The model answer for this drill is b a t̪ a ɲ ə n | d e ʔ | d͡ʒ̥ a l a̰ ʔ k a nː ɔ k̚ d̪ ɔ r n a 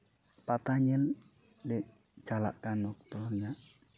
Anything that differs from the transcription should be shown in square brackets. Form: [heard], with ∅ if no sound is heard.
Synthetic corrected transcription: [p] a t̪ a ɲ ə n | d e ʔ | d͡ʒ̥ a l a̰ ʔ k a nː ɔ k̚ [t̪] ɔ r [ɲ] a

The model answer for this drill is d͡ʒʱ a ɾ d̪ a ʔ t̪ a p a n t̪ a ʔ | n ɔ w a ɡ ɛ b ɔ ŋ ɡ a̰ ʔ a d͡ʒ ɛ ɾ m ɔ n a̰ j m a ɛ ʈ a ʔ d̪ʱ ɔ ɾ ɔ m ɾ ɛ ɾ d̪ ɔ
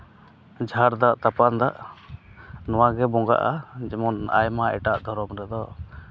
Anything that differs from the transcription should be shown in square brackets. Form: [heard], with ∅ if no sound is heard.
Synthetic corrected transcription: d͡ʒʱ a ɾ d̪ a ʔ t̪ a p a n [d̪] a ʔ | n ɔ w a ɡ ɛ b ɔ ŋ ɡ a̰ ʔ a d͡ʒ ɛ [∅] m ɔ n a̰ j m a ɛ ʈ a ʔ d̪ʱ ɔ ɾ ɔ m ɾ ɛ [∅] d̪ ɔ

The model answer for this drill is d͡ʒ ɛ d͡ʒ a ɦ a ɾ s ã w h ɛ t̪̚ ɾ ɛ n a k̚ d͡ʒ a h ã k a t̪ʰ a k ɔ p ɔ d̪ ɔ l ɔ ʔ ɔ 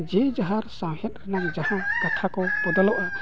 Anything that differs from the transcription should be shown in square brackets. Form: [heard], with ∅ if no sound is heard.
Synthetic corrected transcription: d͡ʒ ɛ d͡ʒ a ɦ a ɾ s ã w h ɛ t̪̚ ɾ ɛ n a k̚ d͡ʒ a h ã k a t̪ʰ a k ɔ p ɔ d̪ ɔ l ɔ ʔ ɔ

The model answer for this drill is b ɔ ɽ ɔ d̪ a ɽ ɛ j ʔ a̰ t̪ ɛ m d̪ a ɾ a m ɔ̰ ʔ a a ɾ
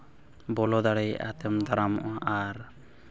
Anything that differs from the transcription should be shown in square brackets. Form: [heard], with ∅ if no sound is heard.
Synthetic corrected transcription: b ɔ [l] ɔ d̪ a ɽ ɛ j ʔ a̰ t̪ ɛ m d̪ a ɾ a m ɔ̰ ʔ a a ɾ

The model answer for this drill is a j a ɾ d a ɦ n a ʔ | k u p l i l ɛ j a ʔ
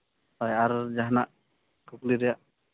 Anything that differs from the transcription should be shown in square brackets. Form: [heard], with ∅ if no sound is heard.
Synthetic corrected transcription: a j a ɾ [d͡ʒ] a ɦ n a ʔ | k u [k] l i [ɾ] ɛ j a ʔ

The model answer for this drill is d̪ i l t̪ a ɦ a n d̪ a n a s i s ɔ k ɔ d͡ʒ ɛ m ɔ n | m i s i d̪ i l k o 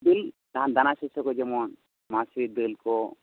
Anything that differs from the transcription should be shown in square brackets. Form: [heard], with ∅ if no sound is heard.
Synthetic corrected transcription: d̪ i l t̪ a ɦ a n d̪ a n a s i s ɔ k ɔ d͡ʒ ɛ m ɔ n | m [a] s i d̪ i l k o

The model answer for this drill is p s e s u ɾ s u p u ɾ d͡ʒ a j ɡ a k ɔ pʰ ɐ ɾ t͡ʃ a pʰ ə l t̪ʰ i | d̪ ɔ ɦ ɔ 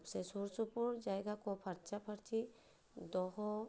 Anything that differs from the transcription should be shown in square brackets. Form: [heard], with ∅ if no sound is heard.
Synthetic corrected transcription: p s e s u ɾ s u p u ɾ d͡ʒ a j ɡ a k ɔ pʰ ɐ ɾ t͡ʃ a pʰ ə [ɾ] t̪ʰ i | d̪ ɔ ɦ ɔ

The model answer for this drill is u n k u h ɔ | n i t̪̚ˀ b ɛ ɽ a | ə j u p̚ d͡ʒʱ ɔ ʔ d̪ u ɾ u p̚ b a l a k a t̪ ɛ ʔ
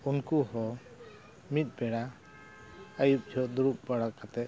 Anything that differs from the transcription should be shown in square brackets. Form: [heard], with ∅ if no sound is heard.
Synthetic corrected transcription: u n k u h ɔ | [m] i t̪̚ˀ b ɛ ɽ a | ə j u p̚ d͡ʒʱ ɔ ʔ d̪ u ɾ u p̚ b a [ɽ] a k a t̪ ɛ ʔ

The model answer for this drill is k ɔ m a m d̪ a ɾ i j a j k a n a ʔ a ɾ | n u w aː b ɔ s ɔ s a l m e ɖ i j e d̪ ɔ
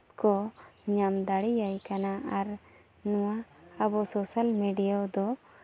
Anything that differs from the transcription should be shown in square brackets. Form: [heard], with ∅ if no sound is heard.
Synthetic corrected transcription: k ɔ [ɲ] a m d̪ a [ɽ] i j a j k a n a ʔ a ɾ | n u w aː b ɔ s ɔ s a l m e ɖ i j [a] d̪ ɔ

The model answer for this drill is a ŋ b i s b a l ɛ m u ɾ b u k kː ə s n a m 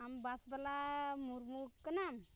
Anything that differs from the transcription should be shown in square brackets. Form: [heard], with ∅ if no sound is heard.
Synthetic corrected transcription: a [m] b [a] s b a l [a] m u ɾ [m] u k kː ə [∅] n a m

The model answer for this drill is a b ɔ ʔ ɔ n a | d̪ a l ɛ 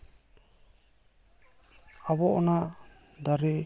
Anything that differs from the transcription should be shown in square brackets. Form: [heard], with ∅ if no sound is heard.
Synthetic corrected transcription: a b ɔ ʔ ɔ n a | d̪ a [ɾ] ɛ

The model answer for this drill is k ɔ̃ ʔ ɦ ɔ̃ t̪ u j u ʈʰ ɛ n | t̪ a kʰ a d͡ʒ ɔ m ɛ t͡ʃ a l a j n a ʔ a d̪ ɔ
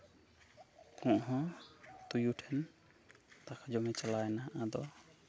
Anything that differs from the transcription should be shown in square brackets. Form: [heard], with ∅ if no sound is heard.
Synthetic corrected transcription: k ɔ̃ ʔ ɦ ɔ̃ t̪ u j u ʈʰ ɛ n | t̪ a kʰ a d͡ʒ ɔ m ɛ t͡ʃ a l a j n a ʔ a d̪ ɔ

